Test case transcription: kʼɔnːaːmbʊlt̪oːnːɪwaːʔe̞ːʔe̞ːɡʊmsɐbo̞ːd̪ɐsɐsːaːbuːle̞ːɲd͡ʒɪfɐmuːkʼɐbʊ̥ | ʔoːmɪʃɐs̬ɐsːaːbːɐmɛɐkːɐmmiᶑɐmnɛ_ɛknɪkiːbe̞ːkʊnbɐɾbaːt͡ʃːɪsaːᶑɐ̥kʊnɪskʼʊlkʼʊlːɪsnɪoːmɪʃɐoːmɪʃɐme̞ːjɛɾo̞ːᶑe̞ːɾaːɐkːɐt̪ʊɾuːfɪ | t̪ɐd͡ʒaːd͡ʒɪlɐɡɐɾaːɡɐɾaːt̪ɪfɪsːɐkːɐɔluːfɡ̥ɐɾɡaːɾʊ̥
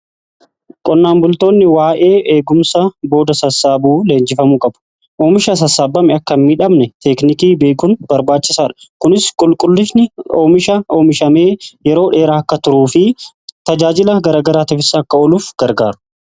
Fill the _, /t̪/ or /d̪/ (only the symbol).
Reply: t̪